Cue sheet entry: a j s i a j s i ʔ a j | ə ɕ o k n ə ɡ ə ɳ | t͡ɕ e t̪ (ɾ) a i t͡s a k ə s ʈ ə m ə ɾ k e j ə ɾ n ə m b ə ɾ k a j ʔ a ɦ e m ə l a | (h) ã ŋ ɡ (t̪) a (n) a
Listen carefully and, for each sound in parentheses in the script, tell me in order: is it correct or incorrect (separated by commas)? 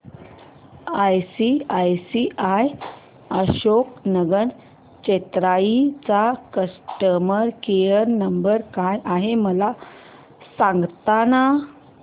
correct, incorrect, correct, correct